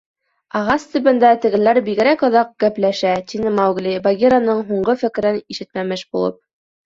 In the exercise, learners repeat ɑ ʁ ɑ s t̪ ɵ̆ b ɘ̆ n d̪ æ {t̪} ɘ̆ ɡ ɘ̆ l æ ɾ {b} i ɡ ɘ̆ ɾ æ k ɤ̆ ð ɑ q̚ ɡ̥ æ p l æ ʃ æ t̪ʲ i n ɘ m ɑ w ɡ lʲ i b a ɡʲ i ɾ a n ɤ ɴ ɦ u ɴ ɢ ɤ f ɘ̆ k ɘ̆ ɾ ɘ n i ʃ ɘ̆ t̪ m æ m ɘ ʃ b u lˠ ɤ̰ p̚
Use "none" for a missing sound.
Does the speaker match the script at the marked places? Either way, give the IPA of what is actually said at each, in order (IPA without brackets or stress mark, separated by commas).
t̪, b